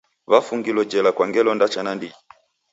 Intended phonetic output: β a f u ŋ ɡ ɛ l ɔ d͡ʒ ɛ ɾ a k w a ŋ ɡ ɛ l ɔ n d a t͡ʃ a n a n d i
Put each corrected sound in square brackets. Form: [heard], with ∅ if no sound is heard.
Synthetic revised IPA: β a f u ŋ ɡ [i] l ɔ d͡ʒ ɛ [l] a k w a ŋ ɡ ɛ l ɔ n d a t͡ʃ a n a n d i